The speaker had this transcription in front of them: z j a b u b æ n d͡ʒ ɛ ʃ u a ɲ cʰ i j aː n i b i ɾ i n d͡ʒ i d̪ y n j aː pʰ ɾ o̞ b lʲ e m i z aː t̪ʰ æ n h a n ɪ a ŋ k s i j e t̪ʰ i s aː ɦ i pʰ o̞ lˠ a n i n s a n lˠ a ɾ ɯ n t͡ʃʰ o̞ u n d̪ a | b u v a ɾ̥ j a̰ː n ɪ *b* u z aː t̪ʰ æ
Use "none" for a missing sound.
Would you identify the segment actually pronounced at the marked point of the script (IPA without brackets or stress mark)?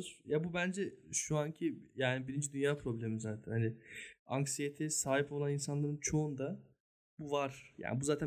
b